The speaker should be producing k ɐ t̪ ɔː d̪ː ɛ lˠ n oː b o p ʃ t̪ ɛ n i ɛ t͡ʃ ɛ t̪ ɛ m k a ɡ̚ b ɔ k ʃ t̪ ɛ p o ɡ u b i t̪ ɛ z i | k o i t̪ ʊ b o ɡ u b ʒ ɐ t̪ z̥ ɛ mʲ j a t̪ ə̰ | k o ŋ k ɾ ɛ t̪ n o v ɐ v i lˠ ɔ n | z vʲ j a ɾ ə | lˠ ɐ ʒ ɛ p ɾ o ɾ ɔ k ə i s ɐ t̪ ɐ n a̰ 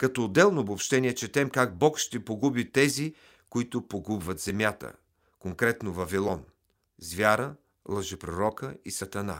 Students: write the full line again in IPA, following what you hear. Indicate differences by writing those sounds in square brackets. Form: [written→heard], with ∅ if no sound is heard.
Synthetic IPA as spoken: k ɐ t̪ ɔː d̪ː ɛ lˠ n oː b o p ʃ t̪ ɛ n i ɛ t͡ʃ ɛ t̪ ɛ m k a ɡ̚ b ɔ k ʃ t̪ ɛ p o ɡ u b i t̪ ɛ z i | k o i t̪ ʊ [b→p] o ɡ u b [ʒ→v] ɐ t̪ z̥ ɛ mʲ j a t̪ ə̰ | k o ŋ k ɾ ɛ t̪ n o v ɐ v i lˠ ɔ n | z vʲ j a ɾ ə | lˠ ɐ ʒ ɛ p ɾ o ɾ ɔ k ə i s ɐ t̪ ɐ n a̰